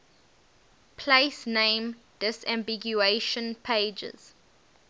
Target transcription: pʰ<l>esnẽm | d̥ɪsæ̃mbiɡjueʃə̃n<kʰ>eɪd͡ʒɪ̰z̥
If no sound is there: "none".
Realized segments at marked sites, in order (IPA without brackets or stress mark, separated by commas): l, pʰ